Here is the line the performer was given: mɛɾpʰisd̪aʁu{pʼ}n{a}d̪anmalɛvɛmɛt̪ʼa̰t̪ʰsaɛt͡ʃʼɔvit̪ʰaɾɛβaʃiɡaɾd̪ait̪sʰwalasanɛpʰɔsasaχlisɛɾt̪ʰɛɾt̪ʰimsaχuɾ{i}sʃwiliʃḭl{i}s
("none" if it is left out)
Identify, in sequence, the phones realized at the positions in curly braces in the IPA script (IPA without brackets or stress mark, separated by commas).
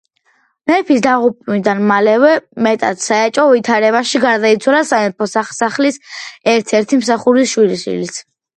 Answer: pʼ, i, i, i